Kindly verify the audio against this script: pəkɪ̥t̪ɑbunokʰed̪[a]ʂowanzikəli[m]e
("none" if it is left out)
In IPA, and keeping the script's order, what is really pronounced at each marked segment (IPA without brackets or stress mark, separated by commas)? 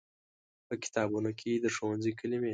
ə, m